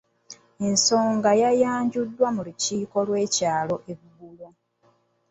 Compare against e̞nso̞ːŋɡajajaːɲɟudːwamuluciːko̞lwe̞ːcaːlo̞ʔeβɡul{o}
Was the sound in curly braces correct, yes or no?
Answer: yes